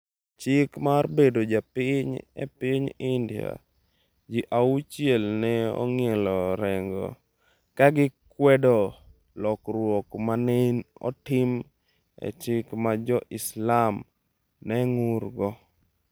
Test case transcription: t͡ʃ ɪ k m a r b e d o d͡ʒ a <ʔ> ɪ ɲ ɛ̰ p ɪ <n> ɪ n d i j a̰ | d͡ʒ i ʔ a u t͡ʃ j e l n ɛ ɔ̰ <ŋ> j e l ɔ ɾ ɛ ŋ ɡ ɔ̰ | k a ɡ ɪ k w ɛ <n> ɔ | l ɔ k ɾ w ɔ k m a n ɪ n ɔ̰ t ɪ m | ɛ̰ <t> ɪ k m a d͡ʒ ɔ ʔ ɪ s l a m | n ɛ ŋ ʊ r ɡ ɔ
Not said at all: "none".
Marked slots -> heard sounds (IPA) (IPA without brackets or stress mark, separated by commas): p, ɲ, ŋ, d, t͡ʃ